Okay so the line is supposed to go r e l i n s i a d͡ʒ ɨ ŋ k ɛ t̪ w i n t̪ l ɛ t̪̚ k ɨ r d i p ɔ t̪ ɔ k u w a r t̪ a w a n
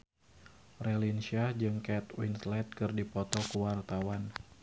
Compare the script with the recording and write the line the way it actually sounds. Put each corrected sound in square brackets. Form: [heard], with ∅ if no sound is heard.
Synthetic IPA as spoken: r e l i n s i a d͡ʒ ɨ ŋ k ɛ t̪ w i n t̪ l ɛ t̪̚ k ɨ r d i p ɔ t̪ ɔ k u w a r t̪ a w a n